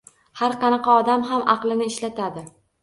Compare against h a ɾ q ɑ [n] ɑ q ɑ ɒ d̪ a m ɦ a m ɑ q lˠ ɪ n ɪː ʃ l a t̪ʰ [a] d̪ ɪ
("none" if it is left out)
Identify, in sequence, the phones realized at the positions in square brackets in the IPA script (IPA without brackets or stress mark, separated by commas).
n, a